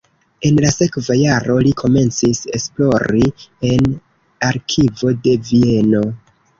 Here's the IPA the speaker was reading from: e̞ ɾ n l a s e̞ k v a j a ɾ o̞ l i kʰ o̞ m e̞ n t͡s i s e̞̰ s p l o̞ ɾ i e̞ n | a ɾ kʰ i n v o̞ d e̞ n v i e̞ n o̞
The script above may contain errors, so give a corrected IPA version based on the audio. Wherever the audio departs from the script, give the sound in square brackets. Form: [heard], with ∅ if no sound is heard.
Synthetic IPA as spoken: e̞ [∅] n l a s e̞ k v a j a ɾ o̞ l i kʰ o̞ m e̞ n t͡s i s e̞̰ s p l o̞ ɾ i e̞ n | a ɾ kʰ i [∅] v o̞ d e̞ [∅] v i e̞ n o̞